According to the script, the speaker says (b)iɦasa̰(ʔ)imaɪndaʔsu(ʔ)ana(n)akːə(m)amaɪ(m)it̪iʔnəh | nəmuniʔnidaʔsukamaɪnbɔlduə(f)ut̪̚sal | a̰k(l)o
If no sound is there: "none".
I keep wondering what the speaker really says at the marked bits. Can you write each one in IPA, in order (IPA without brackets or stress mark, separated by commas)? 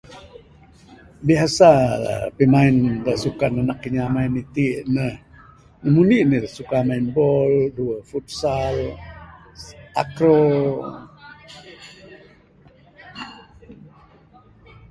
b, p, k, n, ɲ, n, f, ɾ